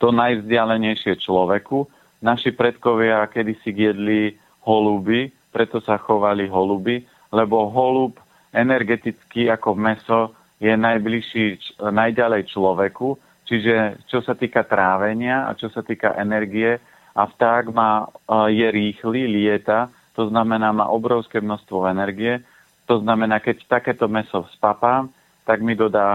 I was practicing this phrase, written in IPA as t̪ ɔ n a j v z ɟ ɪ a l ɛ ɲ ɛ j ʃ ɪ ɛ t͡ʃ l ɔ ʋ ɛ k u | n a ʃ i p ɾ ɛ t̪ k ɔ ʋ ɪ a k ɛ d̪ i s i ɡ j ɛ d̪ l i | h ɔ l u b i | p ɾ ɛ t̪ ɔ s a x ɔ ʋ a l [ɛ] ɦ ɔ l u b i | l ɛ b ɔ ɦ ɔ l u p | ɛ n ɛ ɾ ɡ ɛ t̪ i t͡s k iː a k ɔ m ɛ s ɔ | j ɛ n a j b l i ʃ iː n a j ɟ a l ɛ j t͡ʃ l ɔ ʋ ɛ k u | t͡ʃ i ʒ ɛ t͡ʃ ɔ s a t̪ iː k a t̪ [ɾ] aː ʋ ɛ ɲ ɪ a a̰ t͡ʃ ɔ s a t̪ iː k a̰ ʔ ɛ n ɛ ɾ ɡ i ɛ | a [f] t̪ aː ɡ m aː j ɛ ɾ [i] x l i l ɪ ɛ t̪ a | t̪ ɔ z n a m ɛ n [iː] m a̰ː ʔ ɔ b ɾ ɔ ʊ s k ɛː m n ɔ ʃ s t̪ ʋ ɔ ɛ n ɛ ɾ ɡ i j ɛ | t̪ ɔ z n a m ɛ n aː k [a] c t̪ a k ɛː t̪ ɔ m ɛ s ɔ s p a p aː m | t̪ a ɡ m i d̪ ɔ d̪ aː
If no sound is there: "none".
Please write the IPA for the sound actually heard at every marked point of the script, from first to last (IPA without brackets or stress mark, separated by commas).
i, ɾ, f, iː, aː, ɛ